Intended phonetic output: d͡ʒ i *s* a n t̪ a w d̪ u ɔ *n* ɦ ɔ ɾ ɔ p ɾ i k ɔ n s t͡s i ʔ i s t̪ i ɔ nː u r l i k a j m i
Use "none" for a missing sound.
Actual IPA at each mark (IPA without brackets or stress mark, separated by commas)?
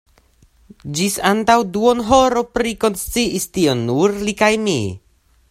s, n